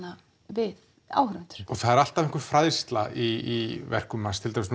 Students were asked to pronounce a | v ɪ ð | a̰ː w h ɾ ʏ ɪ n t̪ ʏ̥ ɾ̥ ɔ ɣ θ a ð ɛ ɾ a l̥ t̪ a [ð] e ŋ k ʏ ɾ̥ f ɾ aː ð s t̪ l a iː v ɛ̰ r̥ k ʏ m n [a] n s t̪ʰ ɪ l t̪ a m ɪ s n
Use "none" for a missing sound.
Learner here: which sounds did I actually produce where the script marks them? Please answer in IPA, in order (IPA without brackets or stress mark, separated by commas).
v, a